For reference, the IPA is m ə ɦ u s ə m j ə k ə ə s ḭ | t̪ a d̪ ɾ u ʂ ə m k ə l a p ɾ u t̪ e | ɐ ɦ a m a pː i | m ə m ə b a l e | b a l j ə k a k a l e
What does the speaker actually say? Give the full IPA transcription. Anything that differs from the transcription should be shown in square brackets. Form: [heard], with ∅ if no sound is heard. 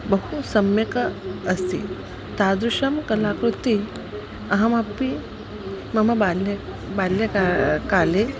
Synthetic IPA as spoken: [b] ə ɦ u s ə m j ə k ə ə s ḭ | t̪ a d̪ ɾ u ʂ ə m k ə l a [k] ɾ u t̪ [i] | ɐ ɦ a m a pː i | m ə m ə b a l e | b a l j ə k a k a l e